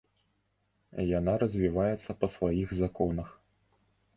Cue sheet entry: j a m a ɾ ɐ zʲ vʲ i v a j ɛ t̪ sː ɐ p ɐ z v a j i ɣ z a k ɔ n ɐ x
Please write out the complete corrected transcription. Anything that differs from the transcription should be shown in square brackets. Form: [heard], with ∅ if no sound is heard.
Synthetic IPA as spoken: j a [n] a ɾ ɐ zʲ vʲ i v a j ɛ t̪ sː ɐ p ɐ [s] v a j i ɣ z a k ɔ n ɐ x